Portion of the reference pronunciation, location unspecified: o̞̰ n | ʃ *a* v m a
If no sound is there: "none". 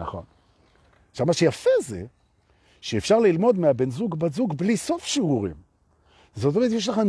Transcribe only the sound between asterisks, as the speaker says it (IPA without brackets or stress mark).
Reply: a